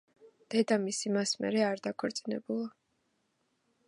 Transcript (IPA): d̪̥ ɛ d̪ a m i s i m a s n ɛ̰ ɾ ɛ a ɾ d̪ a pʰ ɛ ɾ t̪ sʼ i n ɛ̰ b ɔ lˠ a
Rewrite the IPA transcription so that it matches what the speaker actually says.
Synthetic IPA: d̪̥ ɛ d̪ a m i s i m a s m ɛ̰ ɾ ɛ a ɾ d̪ a kʰ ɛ ɾ t̪ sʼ i n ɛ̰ b u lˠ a